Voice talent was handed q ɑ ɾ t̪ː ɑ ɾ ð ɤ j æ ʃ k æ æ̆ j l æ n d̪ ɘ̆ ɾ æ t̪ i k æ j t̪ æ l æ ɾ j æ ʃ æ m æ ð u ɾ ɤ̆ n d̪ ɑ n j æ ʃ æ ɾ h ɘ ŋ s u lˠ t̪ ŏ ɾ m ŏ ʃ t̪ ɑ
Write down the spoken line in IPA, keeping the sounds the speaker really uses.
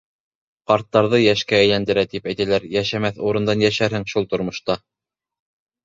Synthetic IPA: q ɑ ɾ t̪ː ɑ ɾ ð ɤ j æ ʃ k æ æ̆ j l æ n d̪ ɘ̆ ɾ æ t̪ i p æ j t̪ æ l æ ɾ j æ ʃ æ m æ θ u ɾ ɤ̆ n d̪ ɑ n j æ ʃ æ ɾ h ɘ ŋ ʃ u lˠ t̪ ŏ ɾ m ŏ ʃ t̪ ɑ